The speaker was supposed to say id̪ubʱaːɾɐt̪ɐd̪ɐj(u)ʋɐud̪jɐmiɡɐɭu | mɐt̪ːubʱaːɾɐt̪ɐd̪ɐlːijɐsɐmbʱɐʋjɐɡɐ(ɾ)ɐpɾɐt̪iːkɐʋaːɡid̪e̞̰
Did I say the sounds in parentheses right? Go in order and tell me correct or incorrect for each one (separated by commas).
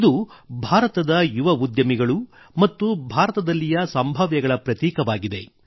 correct, incorrect